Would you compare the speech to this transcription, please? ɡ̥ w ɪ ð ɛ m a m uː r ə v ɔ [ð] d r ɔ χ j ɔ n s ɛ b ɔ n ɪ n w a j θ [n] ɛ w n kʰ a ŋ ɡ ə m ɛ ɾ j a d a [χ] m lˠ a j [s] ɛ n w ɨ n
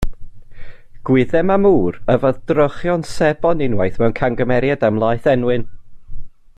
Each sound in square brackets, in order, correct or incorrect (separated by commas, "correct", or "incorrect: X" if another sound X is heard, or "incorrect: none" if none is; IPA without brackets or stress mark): correct, incorrect: m, incorrect: none, incorrect: θ